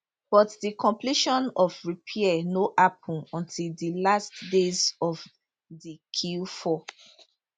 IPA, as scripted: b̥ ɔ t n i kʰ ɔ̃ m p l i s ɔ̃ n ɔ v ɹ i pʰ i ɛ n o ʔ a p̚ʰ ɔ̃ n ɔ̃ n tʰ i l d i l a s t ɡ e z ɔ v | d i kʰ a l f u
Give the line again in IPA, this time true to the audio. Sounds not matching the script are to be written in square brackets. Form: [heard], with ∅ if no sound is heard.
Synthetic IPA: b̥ ɔ t [d] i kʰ ɔ̃ m p l i [ʃ] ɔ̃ n ɔ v ɹ i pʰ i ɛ n o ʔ a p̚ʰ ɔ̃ n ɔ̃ n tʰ i l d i l a s t [d] e z ɔ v | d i kʰ [i] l f [ɔ]